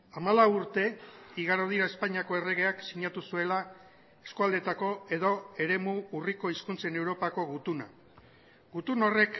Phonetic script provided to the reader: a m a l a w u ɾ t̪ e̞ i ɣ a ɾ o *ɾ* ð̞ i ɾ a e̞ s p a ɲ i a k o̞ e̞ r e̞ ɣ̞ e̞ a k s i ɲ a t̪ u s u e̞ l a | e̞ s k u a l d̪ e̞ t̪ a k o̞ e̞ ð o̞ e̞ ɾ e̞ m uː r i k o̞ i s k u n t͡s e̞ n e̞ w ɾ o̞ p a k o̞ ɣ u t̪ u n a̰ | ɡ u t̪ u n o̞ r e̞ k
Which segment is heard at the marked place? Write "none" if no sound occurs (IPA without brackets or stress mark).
none